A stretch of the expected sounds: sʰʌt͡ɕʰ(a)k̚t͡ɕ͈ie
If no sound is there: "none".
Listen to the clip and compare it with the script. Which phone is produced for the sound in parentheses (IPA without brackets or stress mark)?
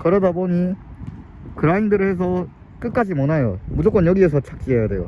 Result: a